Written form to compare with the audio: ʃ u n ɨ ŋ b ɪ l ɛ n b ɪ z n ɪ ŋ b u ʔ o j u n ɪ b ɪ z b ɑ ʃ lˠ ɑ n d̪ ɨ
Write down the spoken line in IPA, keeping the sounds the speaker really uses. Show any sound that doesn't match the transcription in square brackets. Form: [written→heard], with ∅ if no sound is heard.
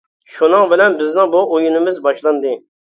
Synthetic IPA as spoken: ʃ u n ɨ ŋ b ɪ l ɛ n b ɪ z n ɪ ŋ b u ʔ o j u n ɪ [b→m] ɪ z b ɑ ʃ lˠ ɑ n d̪ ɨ